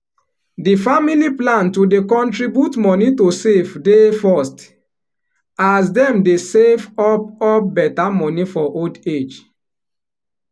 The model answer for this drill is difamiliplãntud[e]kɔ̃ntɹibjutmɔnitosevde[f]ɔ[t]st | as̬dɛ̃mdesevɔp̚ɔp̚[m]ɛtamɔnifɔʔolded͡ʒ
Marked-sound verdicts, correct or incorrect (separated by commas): correct, correct, incorrect, incorrect